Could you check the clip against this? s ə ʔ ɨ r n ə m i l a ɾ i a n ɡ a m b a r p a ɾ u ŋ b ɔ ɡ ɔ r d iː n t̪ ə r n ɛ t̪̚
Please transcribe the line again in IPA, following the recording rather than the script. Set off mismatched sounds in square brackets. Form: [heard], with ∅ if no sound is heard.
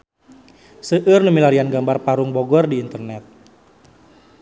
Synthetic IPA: s ə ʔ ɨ r n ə m i l a ɾ i a n ɡ a m b a r p a ɾ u ŋ b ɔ ɡ ɔ r d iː n t̪ ə r n ɛ t̪̚